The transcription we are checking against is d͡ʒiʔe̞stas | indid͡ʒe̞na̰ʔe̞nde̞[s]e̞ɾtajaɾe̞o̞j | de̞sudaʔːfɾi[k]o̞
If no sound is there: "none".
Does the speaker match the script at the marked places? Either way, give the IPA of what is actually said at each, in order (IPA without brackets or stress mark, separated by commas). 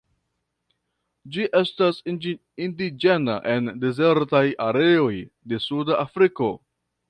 z, k